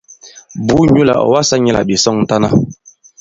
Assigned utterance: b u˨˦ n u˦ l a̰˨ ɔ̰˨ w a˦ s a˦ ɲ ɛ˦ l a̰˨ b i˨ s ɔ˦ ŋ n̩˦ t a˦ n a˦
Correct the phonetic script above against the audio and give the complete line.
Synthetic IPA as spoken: b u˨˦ ɲ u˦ l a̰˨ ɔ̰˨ w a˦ s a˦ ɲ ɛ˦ l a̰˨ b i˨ s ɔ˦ ŋ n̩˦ t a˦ n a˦